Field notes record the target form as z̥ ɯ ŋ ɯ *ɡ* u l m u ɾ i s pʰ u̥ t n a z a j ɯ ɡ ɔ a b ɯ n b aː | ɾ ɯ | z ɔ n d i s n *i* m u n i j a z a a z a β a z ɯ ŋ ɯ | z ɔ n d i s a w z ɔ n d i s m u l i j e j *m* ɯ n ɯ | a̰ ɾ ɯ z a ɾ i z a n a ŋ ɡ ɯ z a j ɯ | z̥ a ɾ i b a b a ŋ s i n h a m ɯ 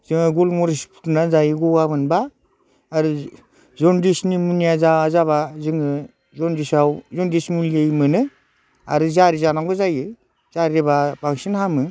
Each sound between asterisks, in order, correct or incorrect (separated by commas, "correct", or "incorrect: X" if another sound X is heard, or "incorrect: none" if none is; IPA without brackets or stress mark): correct, correct, correct